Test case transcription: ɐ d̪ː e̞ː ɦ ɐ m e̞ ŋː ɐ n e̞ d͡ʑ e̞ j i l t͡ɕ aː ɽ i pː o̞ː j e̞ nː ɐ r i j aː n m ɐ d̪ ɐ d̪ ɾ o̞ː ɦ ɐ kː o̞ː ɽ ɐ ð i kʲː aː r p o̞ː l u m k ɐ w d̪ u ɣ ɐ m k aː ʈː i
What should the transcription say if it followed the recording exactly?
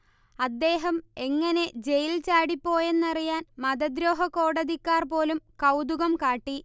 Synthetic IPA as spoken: ɐ d̪ː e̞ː ɦ ɐ m e̞ ŋː ɐ n e̞ d͡ʑ e̞ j i l t͡ɕ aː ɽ i pː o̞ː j e̞ nː ɐ r i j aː n m ɐ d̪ ɐ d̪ ɾ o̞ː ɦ ɐ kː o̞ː ɽ ɐ ð i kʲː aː r p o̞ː l u m k ɐ w d̪ u ɣ ɐ m k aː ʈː i